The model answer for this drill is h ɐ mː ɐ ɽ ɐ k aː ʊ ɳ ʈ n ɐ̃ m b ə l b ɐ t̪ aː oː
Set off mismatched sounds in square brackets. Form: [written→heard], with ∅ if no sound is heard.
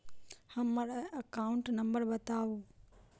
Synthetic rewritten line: h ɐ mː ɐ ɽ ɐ k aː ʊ ɳ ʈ n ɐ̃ m b ə [l→ɾ] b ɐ t̪ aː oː